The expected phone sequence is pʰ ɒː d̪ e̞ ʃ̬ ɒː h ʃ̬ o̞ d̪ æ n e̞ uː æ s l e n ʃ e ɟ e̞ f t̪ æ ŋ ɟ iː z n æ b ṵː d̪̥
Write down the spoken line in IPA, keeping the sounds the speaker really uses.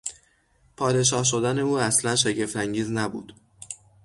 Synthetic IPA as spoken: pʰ ɒː d̪ e̞ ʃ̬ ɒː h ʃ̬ o̞ d̪ æ n e̞ uː æ s l æ n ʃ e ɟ e̞ f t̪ æ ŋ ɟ iː z n æ b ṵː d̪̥